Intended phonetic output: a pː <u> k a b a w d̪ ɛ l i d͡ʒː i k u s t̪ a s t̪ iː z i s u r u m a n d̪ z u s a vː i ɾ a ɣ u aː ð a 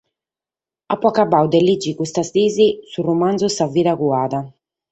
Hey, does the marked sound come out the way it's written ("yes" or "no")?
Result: no